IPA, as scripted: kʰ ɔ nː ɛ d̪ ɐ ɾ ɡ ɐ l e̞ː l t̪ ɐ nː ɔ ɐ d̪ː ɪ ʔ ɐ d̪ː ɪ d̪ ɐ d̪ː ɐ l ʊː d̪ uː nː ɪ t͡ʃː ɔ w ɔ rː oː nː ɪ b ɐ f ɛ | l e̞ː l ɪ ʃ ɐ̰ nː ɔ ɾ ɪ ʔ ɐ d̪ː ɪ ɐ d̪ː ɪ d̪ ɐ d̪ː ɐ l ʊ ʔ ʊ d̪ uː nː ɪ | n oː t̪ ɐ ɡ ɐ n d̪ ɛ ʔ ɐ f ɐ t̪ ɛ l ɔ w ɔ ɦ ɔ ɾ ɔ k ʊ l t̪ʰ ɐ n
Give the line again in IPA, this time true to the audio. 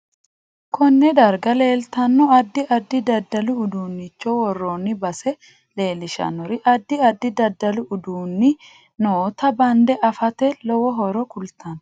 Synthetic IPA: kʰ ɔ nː ɛ d̪ ɐ ɾ ɡ ɐ l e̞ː l t̪ ɐ nː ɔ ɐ d̪ː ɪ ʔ ɐ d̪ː ɪ d̪ ɐ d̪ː ɐ l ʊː d̪ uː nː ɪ t͡ʃː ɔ w ɔ rː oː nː ɪ b ɐ s ɛ | l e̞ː l ɪ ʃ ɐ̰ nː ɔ ɾ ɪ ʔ ɐ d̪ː ɪ ɐ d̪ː ɪ d̪ ɐ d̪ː ɐ l ʊ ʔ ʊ d̪ uː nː ɪ | n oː t̪ ɐ b ɐ n d̪ ɛ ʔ ɐ f ɐ t̪ ɛ l ɔ w ɔ ɦ ɔ ɾ ɔ k ʊ l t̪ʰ ɐ n